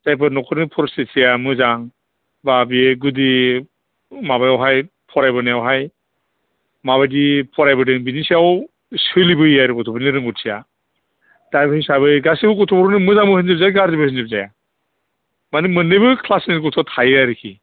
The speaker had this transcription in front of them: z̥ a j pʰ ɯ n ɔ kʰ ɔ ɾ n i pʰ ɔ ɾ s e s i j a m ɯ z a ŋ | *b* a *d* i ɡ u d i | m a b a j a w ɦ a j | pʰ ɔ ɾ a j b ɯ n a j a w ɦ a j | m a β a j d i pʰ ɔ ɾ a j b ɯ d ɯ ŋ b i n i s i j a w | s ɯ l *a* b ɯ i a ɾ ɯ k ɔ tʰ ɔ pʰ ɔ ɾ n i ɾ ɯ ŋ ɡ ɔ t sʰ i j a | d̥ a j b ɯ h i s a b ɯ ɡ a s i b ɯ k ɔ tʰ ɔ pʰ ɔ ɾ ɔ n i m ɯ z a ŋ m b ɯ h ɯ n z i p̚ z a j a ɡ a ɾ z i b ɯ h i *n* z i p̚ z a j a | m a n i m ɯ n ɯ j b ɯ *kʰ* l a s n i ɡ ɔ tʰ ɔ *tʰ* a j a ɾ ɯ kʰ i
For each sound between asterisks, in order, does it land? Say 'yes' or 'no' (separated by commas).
yes, no, no, yes, yes, yes